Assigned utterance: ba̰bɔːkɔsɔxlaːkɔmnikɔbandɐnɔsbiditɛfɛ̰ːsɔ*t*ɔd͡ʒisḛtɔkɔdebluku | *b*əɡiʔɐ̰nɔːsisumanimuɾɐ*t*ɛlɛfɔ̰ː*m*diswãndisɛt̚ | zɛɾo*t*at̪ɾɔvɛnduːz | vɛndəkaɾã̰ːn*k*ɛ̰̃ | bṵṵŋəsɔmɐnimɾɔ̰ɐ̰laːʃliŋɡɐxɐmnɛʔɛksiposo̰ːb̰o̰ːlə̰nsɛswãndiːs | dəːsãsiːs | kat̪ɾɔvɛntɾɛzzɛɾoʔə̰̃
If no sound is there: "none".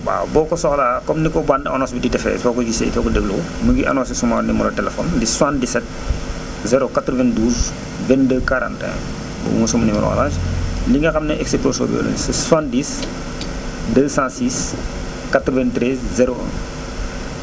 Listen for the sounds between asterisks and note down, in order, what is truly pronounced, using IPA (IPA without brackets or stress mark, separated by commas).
k, m, t, n, k, t